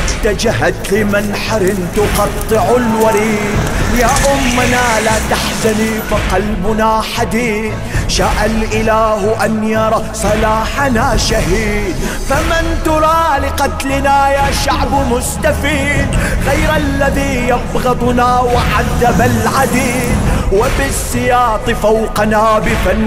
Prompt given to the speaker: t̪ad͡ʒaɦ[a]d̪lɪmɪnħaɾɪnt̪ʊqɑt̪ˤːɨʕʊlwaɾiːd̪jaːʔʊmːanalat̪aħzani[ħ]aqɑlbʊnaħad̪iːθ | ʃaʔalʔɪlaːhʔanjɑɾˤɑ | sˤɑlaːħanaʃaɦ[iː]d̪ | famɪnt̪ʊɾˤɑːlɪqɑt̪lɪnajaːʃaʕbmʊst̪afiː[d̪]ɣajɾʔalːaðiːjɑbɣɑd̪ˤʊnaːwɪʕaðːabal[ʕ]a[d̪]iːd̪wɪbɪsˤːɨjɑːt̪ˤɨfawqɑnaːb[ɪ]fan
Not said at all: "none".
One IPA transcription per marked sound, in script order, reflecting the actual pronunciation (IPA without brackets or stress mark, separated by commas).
a, f, iː, d̪, ʕ, d̪, ɪ